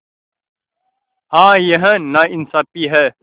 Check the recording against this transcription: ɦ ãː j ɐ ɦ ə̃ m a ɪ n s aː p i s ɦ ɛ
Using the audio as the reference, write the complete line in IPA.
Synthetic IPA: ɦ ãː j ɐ ɦ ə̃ n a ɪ n s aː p i ɦ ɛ